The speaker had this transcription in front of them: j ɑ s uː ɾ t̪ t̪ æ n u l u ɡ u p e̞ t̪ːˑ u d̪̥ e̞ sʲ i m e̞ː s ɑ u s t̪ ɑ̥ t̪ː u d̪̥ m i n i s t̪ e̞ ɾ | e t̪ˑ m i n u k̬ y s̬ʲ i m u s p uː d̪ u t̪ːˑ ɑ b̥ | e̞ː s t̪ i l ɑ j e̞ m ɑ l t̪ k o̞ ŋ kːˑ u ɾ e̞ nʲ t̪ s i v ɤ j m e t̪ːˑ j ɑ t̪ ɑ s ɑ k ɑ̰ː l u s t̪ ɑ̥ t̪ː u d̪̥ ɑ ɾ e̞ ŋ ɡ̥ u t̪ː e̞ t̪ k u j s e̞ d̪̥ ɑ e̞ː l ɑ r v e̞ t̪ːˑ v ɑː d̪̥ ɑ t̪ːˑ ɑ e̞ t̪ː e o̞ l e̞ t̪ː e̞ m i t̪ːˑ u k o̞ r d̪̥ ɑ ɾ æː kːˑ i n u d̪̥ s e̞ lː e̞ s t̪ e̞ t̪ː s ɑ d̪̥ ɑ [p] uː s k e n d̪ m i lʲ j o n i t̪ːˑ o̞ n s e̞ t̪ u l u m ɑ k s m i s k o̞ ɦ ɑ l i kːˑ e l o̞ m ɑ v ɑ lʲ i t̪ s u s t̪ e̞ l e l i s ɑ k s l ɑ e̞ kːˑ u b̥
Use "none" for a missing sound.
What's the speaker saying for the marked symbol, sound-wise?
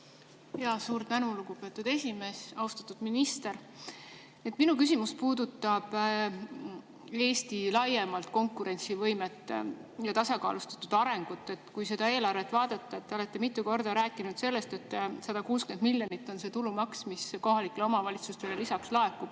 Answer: k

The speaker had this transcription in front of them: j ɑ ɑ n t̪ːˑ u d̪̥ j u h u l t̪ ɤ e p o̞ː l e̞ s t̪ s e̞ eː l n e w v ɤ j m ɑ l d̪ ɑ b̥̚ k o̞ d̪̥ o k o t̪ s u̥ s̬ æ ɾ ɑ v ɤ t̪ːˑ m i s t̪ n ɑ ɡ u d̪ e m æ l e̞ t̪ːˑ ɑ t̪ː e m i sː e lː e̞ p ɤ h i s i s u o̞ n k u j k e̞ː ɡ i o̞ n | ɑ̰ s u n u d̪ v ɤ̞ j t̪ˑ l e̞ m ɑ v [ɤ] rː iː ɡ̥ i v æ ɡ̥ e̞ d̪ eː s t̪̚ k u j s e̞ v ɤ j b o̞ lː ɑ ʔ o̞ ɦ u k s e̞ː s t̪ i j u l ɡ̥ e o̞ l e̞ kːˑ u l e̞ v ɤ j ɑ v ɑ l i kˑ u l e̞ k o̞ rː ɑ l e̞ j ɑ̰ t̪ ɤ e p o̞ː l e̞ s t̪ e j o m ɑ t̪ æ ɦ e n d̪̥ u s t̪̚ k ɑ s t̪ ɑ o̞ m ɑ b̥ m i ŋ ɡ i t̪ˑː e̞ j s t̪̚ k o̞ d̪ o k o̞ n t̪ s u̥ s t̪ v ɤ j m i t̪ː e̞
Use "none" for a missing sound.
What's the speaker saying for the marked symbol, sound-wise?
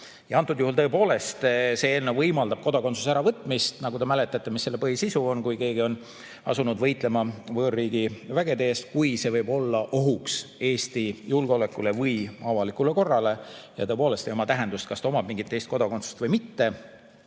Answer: ɤː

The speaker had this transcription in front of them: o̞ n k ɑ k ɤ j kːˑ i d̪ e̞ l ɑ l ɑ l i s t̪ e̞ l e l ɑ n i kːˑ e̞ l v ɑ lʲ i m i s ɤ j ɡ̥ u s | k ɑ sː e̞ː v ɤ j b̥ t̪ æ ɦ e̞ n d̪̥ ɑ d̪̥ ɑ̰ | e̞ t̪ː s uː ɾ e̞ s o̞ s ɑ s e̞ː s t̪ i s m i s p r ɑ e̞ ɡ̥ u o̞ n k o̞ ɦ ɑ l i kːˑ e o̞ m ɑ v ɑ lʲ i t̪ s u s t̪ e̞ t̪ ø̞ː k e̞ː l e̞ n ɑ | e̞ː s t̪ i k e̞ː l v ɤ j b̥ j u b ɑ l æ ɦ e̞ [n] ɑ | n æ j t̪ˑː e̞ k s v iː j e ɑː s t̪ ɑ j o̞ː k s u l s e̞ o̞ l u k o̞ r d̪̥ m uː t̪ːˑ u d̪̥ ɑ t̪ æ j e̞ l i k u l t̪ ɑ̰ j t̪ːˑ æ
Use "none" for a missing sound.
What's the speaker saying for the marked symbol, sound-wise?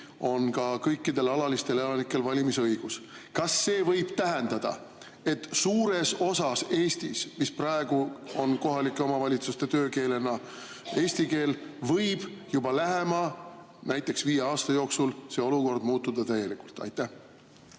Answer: m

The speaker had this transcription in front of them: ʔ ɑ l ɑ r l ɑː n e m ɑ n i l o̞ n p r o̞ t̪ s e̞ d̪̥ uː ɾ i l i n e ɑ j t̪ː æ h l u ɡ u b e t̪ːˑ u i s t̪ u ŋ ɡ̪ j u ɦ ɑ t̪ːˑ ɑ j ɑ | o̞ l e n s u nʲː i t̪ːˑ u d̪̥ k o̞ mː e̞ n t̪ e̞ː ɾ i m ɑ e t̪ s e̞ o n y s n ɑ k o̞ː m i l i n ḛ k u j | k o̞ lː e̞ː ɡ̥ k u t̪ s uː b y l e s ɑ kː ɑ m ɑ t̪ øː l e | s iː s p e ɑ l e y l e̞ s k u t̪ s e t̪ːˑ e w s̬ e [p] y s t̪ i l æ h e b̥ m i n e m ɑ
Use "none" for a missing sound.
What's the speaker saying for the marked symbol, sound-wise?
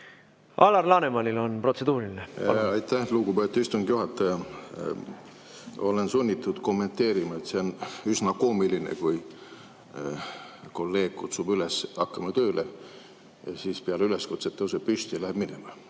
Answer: p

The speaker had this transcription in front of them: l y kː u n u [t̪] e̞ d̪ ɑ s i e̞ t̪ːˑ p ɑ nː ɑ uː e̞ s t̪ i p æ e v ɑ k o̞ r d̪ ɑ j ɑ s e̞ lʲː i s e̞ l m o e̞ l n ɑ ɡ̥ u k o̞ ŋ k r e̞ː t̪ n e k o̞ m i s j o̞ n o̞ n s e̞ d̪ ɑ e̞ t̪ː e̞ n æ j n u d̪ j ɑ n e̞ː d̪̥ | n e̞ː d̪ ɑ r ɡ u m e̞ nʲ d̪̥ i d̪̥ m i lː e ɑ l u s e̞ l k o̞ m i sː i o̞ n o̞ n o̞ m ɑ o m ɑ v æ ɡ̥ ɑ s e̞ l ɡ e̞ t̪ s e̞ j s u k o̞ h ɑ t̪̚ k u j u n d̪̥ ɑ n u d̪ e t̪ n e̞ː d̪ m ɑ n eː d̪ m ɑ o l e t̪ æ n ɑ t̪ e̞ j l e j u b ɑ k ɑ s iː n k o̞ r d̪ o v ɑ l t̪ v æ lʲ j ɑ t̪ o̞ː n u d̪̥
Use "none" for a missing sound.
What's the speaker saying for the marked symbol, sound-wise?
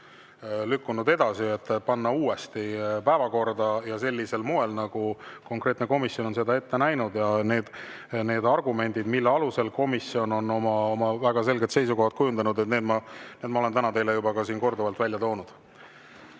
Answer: d̪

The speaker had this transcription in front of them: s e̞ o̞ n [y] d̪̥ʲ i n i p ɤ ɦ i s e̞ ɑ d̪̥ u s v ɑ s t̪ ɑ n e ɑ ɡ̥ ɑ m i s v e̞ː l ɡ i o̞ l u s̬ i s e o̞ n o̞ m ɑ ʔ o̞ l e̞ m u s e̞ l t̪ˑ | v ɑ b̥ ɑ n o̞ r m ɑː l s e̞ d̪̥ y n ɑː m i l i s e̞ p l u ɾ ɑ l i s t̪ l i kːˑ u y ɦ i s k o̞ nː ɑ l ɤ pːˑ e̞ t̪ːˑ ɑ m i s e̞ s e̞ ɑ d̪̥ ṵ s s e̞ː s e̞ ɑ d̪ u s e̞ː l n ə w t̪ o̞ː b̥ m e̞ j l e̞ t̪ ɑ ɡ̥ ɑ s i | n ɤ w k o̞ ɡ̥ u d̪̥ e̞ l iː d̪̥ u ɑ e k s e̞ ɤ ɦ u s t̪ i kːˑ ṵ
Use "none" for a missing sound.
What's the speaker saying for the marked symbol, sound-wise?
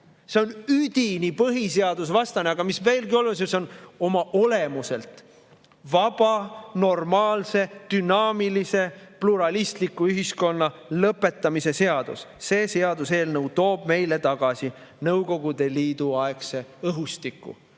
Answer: y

